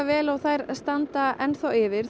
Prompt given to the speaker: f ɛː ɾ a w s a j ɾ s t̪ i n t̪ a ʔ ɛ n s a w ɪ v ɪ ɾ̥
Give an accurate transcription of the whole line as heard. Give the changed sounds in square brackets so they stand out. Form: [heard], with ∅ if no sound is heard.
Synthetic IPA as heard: [v] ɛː [l] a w [θ] a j ɾ s t̪ [a] n t̪ a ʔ ɛ n [θ] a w ɪ v ɪ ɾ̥